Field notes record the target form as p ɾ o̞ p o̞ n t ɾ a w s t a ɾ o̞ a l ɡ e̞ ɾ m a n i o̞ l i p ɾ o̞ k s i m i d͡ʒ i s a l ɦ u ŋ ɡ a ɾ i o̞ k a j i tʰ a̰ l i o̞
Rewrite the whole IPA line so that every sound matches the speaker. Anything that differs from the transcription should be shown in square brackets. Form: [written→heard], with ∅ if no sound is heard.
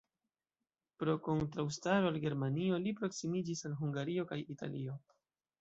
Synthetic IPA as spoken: p ɾ o̞ [p→k] o̞ n t ɾ a w s t a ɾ o̞ a l ɡ e̞ ɾ m a n i o̞ l i p ɾ o̞ k s i m i d͡ʒ i s a l ɦ u ŋ ɡ a ɾ i o̞ k a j i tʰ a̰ l i o̞